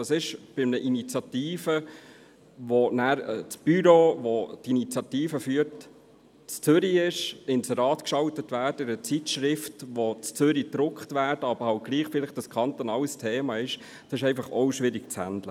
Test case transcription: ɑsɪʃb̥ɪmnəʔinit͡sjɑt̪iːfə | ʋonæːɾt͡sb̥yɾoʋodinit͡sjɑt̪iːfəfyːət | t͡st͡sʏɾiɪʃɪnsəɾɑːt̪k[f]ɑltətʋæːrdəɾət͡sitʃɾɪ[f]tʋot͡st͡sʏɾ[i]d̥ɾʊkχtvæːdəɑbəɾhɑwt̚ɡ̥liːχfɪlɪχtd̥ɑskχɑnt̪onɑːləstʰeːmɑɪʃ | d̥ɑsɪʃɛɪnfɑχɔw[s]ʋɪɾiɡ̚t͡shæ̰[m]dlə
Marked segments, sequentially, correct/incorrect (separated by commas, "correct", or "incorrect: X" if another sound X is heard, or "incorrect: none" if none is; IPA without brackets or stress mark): incorrect: ʃ, correct, correct, incorrect: ʃ, incorrect: n